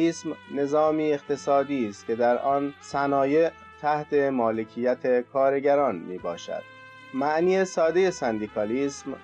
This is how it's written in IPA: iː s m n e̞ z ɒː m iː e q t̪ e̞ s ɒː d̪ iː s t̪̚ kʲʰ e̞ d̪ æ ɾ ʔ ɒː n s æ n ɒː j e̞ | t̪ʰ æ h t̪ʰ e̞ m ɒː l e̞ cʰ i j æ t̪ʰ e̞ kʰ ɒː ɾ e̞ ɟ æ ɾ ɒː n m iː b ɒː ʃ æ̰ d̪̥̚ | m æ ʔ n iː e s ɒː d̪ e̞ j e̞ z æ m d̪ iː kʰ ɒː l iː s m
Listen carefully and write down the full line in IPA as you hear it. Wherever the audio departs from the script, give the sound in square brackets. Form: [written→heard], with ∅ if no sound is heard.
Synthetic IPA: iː s m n e̞ z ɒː m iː e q t̪ e̞ s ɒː d̪ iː s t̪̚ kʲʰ e̞ d̪ æ ɾ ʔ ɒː n s æ n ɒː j e̞ | t̪ʰ æ h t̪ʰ e̞ m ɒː l e̞ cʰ i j æ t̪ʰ e̞ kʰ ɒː ɾ e̞ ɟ æ ɾ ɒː n m iː b ɒː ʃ æ̰ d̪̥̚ | m æ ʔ n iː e s ɒː d̪ e̞ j e̞ [z→s] æ [m→n] d̪ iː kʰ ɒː l iː s m